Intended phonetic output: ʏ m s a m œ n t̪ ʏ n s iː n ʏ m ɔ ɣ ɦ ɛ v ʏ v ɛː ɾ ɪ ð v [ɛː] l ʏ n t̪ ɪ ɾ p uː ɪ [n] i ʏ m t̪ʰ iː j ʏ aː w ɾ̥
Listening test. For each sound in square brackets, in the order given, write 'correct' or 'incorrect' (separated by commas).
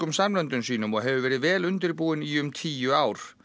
correct, correct